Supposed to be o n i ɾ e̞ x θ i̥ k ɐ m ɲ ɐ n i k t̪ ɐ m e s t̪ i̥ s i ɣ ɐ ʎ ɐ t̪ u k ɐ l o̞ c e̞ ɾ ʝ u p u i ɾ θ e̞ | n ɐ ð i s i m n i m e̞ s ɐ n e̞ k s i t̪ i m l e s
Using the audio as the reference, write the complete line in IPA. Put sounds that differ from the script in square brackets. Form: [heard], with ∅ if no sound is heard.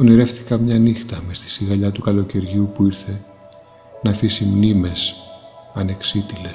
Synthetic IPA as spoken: o n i ɾ e̞ [f] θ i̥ k ɐ m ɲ ɐ n i [x] t̪ ɐ m e s t̪ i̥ s i ɣ ɐ ʎ ɐ t̪ u k ɐ l o̞ c e̞ ɾ ʝ u p u i ɾ θ e̞ | n ɐ [θ] i s i m n i m e̞ s ɐ n e̞ k s i t̪ i [∅] l e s